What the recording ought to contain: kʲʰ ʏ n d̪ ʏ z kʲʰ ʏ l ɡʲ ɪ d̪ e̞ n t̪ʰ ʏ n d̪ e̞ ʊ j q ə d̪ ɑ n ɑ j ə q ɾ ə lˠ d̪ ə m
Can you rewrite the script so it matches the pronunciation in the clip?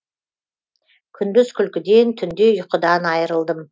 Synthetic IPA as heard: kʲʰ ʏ n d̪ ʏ z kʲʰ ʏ l kʲ ɪ d̪ e̞ n t̪ʰ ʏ n d̪ e̞ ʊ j q ə d̪ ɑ n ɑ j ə ɾ ə lˠ d̪ ə m

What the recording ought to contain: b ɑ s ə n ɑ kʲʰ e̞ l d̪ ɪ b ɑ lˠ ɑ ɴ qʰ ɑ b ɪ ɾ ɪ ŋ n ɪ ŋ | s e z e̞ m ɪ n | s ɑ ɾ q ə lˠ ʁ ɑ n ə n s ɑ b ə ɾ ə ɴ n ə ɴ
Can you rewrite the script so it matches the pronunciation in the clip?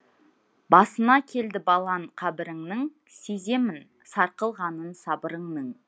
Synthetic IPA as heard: b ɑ s ə n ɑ kʲʰ e̞ l d̪ ɪ b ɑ lˠ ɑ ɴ qʰ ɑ b ɪ ɾ ɪ ŋ n ɪ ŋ | s e z e̞ m ɪ n | s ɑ ɾ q ə lˠ ʁ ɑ n ə n s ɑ b ə ɾ ə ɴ n ə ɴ

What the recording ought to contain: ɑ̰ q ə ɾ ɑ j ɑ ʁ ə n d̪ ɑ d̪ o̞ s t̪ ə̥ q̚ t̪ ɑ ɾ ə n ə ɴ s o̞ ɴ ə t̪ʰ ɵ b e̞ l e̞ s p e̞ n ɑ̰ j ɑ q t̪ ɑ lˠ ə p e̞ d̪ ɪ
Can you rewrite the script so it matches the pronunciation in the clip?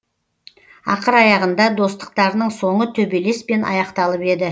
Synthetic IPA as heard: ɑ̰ q ə ɾ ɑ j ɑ ʁ ə n d̪ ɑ d̪ o̞ s t̪ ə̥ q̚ t̪ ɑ ɾ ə n ə ɴ s o̞ ɴ ə t̪ʰ ɵ b e̞ l e̞ s p e̞ n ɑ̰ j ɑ q t̪ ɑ lˠ ə p e̞ d̪ ɪ

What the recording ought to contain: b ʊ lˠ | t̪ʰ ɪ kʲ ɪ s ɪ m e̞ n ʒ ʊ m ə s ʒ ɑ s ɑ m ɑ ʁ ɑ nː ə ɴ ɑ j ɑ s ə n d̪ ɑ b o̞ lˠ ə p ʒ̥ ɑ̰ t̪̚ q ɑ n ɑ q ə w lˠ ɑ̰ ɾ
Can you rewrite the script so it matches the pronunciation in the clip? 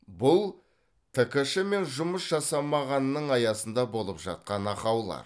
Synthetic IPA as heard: b ʊ lˠ | t̪ʰ ɪ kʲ ɪ ʃ ɪ m e̞ n ʒ ʊ m ə s ʒ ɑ s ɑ m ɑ ʁ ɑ nː ə ɴ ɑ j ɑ s ə n d̪ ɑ b o̞ lˠ ə p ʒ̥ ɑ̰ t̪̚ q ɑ n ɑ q ɑ w lˠ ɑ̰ ɾ

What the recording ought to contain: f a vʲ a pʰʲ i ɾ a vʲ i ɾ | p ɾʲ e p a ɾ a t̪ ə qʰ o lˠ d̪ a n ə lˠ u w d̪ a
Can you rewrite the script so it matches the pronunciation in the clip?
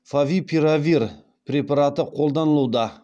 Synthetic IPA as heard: f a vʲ i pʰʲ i ɾ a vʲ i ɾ | p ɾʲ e p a ɾ a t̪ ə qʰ o lˠ d̪ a n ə lˠ u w d̪ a

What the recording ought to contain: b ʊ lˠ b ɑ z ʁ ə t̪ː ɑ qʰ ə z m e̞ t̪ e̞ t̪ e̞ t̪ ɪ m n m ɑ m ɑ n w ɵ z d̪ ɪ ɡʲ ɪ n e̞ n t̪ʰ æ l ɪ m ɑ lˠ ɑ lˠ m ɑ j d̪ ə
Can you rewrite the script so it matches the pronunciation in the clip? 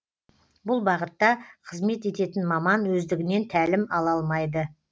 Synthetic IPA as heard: b ʊ lˠ b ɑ ʁ ə t̪ː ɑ qʰ ə z m e̞ t̪ e̞ t̪ e̞ t̪ ɪ n m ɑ m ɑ n w ɵ z d̪ ɪ ɡʲ ɪ n e̞ n t̪ʰ æ l ɪ m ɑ lˠ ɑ lˠ m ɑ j d̪ ə

